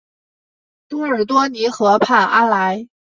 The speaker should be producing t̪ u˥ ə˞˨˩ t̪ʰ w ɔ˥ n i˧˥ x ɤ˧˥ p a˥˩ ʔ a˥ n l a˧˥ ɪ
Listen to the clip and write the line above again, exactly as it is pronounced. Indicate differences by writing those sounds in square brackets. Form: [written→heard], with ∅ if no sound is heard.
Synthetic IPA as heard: t̪ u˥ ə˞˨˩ [t̪ʰ→t̪] w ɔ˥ n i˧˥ x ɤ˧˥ [p→pʰ] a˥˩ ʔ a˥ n l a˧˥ ɪ